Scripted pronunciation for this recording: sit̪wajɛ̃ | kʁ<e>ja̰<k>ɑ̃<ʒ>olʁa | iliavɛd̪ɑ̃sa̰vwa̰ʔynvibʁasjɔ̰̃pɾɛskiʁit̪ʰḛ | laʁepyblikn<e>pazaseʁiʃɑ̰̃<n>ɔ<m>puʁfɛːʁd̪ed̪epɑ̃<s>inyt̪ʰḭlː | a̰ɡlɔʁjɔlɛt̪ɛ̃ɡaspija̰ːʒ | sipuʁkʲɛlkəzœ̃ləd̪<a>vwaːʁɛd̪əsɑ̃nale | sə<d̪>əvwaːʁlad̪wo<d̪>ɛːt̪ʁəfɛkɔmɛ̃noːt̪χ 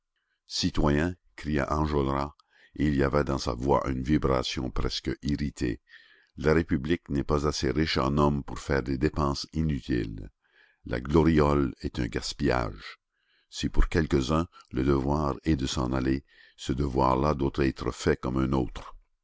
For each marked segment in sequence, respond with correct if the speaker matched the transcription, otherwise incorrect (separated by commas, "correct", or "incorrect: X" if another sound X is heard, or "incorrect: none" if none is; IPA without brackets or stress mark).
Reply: incorrect: i, incorrect: ʔ, correct, incorrect: ɛ, correct, correct, correct, incorrect: ə, correct, incorrect: t̪